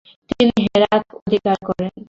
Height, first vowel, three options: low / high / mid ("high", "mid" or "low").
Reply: high